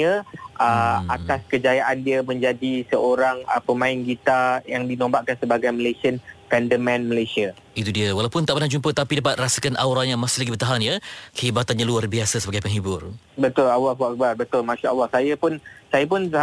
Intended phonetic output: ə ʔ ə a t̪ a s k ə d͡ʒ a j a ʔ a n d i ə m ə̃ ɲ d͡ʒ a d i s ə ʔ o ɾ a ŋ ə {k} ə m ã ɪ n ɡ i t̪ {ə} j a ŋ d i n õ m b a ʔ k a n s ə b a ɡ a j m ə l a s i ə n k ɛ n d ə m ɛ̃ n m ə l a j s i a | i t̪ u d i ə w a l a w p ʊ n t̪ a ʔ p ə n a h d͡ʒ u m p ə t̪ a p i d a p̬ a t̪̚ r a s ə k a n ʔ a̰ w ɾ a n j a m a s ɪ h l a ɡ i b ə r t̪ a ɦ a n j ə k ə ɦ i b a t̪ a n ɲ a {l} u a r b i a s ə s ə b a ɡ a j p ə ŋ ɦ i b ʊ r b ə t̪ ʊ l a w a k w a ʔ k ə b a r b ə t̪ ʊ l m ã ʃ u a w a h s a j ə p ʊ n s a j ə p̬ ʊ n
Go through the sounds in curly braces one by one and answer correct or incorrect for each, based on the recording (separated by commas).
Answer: incorrect, incorrect, correct